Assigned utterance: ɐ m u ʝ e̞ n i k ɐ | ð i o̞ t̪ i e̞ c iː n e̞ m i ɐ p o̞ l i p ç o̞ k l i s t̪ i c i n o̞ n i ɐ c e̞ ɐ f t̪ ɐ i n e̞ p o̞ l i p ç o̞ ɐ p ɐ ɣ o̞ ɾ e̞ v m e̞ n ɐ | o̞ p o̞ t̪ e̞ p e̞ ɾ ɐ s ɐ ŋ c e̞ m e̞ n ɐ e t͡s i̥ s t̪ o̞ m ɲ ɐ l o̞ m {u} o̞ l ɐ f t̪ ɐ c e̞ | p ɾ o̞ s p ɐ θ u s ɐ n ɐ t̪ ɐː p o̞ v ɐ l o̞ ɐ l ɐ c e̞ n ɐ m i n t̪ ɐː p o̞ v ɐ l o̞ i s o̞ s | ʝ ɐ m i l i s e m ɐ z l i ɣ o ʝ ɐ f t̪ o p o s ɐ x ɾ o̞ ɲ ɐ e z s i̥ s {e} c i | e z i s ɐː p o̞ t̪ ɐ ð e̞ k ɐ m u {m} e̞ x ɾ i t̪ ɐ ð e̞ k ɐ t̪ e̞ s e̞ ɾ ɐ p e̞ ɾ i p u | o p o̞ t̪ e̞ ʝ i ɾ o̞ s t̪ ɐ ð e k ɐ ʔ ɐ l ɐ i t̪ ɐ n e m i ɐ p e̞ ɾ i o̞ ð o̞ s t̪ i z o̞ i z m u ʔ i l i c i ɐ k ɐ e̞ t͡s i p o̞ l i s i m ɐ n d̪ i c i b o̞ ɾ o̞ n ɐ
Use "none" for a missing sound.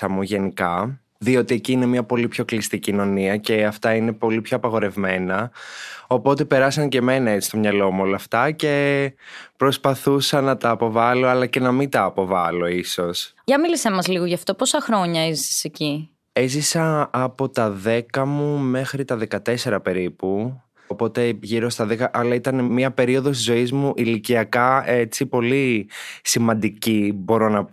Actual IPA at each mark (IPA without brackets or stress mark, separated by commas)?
u, e, m